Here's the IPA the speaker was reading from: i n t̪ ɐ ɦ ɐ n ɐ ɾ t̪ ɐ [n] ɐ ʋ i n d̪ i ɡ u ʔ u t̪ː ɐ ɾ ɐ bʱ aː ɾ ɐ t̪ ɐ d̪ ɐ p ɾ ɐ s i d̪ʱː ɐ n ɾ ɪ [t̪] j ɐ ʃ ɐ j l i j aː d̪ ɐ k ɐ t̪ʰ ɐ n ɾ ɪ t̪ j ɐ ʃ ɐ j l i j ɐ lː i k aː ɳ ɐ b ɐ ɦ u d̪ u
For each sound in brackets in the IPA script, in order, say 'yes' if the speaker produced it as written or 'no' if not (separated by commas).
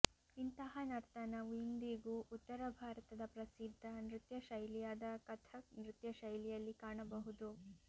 yes, yes